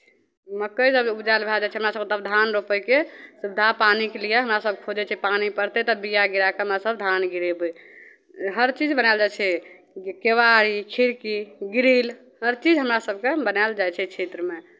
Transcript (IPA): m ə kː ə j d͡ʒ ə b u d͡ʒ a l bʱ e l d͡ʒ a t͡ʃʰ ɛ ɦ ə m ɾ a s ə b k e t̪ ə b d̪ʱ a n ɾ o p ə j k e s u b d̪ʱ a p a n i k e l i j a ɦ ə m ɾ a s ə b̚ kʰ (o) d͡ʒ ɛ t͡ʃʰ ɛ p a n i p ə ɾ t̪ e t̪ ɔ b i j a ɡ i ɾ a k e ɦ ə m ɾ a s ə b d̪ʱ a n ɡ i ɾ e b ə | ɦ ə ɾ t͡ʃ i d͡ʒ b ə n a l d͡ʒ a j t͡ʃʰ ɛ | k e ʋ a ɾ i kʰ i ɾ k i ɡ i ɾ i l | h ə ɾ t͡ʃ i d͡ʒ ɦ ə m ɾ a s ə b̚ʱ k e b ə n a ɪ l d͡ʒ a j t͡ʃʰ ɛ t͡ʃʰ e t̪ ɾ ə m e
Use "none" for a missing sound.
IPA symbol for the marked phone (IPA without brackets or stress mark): o